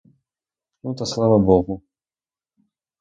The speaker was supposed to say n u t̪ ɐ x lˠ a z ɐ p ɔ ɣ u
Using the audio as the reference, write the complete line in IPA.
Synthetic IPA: n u t̪ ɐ s lˠ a v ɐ b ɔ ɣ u